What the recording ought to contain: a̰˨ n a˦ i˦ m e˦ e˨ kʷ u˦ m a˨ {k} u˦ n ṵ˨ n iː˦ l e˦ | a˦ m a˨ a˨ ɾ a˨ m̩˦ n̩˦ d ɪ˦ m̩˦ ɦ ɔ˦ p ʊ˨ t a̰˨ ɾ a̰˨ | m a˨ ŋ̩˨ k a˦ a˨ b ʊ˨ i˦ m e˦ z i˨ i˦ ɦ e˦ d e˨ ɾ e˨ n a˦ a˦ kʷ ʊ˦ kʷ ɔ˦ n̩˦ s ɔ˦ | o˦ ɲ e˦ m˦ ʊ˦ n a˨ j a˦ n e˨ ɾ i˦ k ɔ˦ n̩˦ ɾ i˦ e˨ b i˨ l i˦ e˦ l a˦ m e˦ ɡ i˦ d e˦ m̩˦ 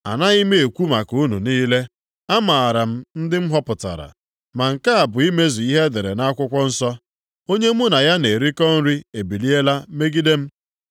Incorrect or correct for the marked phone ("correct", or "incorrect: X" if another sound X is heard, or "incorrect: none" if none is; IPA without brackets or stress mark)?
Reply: correct